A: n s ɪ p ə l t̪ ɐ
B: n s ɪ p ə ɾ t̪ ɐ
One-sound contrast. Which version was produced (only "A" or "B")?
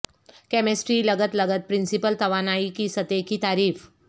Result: A